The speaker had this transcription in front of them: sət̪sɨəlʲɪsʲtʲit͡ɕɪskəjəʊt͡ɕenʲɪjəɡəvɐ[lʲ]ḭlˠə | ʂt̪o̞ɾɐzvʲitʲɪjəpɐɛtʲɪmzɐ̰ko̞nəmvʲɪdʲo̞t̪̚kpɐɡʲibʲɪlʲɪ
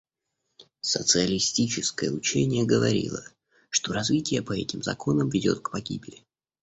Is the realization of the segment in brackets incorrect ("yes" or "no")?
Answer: yes